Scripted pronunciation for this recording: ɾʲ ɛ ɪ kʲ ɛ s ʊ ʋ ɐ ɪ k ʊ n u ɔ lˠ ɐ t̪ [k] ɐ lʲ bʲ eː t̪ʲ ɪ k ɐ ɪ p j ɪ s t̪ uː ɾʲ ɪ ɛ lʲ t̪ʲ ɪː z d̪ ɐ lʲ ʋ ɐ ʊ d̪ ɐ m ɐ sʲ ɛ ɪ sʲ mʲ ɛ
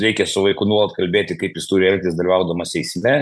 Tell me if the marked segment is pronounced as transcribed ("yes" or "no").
yes